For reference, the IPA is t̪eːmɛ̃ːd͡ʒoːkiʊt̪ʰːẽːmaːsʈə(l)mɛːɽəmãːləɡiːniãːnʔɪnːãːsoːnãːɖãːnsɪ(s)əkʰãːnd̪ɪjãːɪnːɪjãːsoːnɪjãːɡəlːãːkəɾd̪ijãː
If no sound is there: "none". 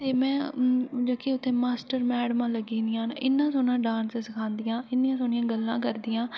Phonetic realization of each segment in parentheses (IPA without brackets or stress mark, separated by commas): ɾ, s